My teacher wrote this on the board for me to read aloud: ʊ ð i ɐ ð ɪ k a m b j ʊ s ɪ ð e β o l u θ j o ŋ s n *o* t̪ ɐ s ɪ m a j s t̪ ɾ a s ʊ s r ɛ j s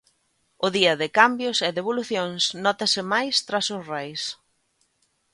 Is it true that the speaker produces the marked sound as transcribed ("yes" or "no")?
no